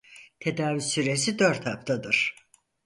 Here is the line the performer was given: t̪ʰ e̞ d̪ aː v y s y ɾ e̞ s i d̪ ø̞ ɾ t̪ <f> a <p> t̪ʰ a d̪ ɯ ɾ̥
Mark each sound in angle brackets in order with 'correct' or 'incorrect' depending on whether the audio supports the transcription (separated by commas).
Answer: incorrect, correct